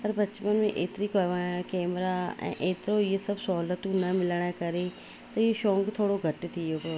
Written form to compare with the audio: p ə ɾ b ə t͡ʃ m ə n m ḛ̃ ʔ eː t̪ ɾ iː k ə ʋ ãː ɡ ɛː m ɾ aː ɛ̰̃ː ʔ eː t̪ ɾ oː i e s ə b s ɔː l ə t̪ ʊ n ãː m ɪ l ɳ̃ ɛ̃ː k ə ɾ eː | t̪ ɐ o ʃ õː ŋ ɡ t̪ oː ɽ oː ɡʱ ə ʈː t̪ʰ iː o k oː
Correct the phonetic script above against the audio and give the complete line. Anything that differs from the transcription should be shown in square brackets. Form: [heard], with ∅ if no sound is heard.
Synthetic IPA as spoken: p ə ɾ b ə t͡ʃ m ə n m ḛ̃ ʔ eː t̪ ɾ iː k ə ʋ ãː [k] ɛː m ɾ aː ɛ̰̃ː ʔ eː t̪ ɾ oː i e s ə b s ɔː l ə t̪ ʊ n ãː m ɪ l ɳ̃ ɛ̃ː k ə ɾ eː | t̪ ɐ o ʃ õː ŋ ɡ [t̪ʰ] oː ɽ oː ɡʱ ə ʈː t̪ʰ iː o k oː